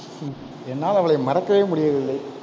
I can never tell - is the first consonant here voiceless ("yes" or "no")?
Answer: no